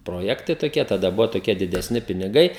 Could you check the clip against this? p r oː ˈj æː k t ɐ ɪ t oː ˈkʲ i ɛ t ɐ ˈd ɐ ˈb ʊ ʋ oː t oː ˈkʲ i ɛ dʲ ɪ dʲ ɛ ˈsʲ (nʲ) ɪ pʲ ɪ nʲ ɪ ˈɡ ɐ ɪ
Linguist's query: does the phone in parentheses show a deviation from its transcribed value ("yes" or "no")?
no